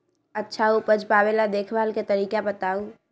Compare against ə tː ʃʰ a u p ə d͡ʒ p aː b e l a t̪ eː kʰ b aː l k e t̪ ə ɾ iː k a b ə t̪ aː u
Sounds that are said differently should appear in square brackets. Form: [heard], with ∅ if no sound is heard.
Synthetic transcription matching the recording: ə tː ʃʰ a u p ə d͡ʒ p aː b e l a [d̪] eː kʰ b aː l k e t̪ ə ɾ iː k a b ə t̪ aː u